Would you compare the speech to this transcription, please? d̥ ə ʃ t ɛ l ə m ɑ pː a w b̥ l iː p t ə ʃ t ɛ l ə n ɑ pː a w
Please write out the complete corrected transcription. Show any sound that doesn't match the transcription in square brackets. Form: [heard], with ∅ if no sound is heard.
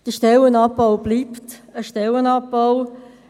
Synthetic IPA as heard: d̥ ə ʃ t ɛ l ə [n] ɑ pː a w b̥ l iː p t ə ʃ t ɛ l ə n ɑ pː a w